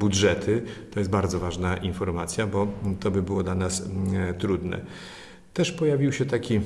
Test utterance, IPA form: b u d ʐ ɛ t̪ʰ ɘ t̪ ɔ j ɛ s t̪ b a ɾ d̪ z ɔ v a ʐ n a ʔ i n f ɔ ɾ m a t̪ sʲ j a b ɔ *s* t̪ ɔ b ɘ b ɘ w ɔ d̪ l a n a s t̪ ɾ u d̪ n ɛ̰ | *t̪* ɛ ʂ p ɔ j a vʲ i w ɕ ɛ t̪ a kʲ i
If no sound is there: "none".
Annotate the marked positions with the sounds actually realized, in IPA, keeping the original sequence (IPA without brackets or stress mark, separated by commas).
none, t̪